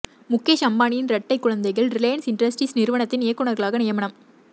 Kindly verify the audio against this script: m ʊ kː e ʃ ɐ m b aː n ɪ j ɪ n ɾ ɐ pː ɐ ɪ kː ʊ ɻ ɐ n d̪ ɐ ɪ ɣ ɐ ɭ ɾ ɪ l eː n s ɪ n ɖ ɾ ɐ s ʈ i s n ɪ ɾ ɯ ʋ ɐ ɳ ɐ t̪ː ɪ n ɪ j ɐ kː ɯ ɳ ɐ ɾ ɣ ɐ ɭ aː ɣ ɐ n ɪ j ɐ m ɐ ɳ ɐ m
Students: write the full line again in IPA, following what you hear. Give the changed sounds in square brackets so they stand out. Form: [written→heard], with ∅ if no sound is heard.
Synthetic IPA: m ʊ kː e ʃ ɐ m b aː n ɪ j ɪ n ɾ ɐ [pː→ʈː] ɐ ɪ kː ʊ ɻ ɐ n d̪ ɐ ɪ ɣ ɐ ɭ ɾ ɪ l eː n s ɪ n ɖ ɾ ɐ s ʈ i s n ɪ ɾ ɯ ʋ ɐ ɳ ɐ t̪ː ɪ n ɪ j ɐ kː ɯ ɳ ɐ ɾ ɣ ɐ ɭ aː ɣ ɐ n ɪ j ɐ m ɐ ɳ ɐ m